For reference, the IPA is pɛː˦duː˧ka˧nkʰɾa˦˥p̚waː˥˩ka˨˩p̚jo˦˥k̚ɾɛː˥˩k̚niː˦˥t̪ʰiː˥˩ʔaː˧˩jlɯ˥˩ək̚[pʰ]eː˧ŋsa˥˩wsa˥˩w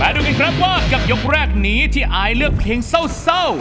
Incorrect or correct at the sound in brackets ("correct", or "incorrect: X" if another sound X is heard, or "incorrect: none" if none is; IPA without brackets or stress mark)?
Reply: correct